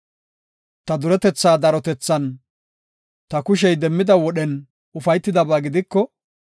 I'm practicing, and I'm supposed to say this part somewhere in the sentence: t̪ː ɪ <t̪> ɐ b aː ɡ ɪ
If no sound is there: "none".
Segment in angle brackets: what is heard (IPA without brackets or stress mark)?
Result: d̪